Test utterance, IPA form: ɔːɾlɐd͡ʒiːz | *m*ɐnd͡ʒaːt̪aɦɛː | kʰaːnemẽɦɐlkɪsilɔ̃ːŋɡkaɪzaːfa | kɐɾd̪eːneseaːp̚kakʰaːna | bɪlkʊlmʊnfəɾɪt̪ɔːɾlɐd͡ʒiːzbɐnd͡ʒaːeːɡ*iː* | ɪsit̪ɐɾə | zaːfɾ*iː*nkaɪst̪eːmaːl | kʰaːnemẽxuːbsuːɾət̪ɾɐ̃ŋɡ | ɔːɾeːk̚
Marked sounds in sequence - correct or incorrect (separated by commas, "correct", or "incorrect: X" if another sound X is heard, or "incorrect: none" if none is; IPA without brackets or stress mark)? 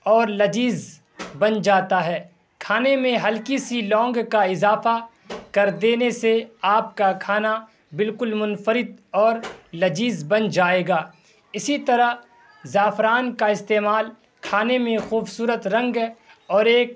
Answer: incorrect: b, incorrect: aː, incorrect: aː